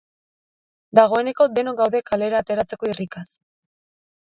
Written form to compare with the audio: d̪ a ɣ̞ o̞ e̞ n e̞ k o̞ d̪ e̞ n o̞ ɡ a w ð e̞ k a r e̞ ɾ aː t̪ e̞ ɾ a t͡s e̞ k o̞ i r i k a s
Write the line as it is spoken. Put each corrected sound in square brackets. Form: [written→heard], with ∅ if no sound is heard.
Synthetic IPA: d̪ a ɣ̞ o̞ e̞ n e̞ k o̞ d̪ e̞ n o̞ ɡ a w ð e̞ k a [r→l] e̞ ɾ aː t̪ e̞ ɾ a t͡s e̞ k o̞ i r i k a s